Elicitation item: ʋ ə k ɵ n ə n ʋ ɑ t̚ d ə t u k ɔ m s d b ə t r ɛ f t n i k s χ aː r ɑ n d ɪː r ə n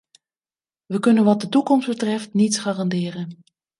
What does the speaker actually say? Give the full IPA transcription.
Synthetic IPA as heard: ʋ ə k ɵ n ə n ʋ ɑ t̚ d ə t u k ɔ m s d b ə t r ɛ f t n i t s χ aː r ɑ n d ɪː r ə n